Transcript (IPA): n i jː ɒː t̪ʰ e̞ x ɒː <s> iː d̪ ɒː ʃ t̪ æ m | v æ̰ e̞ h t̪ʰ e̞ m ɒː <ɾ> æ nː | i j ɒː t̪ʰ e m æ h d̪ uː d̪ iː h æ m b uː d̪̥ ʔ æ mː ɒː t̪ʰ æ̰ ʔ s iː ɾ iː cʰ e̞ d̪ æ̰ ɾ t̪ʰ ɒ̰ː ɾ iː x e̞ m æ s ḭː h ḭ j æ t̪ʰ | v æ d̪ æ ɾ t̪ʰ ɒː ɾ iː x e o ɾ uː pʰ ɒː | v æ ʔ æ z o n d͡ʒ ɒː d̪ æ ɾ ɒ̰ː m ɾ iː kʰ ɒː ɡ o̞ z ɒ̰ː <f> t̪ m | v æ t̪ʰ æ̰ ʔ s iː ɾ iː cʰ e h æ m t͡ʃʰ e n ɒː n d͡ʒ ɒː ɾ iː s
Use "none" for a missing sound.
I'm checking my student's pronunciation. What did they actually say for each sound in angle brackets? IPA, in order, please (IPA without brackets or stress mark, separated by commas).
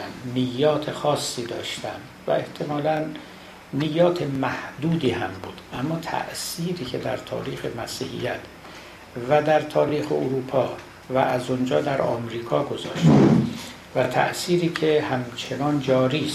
sː, l, ʃ